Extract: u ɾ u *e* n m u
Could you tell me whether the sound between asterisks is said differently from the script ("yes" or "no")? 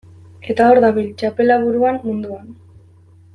yes